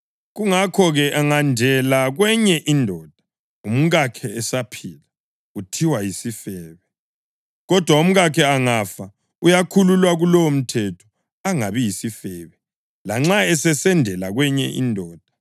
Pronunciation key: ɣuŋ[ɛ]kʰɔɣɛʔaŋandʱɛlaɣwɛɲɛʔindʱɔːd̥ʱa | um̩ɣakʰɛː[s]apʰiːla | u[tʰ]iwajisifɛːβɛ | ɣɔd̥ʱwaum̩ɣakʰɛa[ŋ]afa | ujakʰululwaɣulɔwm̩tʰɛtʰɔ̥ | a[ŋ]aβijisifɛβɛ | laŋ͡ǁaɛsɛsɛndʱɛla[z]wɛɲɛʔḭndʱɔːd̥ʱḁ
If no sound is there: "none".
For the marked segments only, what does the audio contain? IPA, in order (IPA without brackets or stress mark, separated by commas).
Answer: a, s, tʰ, ŋ, ŋ, ɣ